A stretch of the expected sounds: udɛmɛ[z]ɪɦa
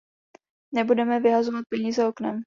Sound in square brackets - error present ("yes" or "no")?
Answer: yes